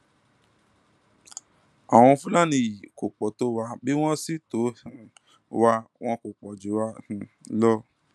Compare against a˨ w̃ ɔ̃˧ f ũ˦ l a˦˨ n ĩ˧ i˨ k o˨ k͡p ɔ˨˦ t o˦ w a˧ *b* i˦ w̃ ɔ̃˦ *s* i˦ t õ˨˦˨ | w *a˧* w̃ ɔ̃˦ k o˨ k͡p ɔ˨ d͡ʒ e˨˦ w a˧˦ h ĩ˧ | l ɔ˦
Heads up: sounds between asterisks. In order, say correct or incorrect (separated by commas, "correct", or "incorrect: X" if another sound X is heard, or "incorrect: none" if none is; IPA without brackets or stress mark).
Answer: correct, correct, correct